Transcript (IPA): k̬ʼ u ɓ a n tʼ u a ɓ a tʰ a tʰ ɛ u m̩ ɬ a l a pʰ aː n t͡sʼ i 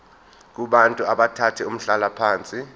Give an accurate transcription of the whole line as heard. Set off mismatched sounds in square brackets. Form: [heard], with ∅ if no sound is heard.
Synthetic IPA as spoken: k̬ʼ u ɓ a n tʼ u a ɓ a tʰ a tʰ ɛ u m̩ ɬ a l a pʰ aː n t͡sʼ i